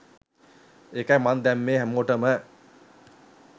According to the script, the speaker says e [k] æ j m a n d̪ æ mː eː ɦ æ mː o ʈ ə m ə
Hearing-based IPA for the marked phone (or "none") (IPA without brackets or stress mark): k